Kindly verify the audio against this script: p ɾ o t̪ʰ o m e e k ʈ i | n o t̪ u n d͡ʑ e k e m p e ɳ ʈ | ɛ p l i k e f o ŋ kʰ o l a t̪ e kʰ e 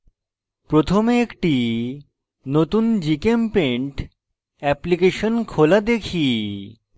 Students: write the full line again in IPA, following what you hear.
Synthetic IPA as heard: p ɾ o t̪ʰ o m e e k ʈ i | n o t̪ u n d͡ʑ i k e m p e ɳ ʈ | ɛ p l i k e ʃ o n kʰ o l a d̪ e kʰ i

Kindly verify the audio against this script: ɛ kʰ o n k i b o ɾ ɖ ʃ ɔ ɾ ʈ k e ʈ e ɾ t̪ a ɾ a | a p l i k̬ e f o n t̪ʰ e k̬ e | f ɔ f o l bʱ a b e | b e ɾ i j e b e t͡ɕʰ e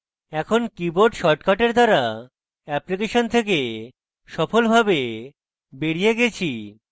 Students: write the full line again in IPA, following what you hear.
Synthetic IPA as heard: ɛ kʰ o n k i b o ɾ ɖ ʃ ɔ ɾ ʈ k a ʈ e ɾ d̪ a ɾ a | ɛ p l i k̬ e ʃ o n t̪ʰ e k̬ e | ʃ ɔ f o l bʱ a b e | b e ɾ i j e ɡ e t͡ɕʰ i

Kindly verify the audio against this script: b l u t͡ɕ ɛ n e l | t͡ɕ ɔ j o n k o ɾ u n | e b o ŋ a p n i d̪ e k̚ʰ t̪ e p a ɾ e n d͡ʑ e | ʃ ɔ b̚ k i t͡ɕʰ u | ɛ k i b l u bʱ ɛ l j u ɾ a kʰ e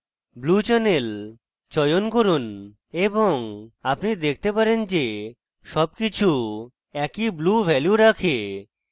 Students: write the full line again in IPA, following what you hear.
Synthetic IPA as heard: b l u t͡ɕ ɛ n e l | t͡ɕ ɔ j o n k o ɾ u n | e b o ŋ a p n i d̪ e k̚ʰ t̪ e p a ɾ e n d͡ʑ e | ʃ ɔ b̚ k i t͡ɕʰ u | ɛ k i b l u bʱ ɛ l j u ɾ a kʰ e

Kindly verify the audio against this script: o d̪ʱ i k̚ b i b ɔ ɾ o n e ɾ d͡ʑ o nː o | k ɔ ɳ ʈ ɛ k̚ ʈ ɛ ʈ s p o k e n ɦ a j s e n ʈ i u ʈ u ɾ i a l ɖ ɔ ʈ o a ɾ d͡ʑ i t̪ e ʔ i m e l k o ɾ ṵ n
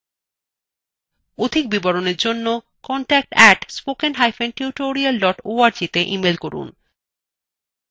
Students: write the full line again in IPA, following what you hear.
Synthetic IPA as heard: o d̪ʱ i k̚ b i b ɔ ɾ o n e ɾ d͡ʑ o nː o | k ɔ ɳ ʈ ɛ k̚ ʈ ɛ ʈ s p o k e n ɦ a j f e n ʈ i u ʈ o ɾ i a l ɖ ɔ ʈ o a ɾ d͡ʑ i t̪ e ʔ i m e l k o ɾ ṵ n

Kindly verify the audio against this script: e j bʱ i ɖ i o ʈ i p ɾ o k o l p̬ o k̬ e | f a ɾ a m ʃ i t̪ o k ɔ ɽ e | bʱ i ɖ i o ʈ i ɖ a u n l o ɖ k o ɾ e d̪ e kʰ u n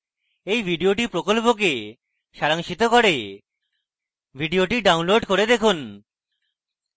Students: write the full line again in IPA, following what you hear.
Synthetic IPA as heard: e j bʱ i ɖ i o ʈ i p ɾ o k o l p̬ o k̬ e | ʃ a ɾ a ŋ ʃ i t̪ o k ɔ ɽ e | bʱ i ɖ i o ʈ i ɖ a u n l o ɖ k o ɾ e d̪ e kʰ u n

